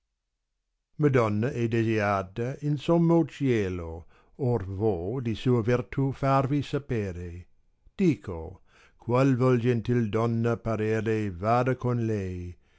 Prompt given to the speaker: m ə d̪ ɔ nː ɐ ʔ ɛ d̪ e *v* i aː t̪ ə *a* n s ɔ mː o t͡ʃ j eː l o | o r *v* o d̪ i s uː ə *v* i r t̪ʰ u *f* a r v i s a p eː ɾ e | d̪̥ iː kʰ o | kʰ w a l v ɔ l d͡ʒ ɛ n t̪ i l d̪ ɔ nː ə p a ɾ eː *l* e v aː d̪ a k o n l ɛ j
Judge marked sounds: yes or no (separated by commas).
no, no, yes, yes, yes, no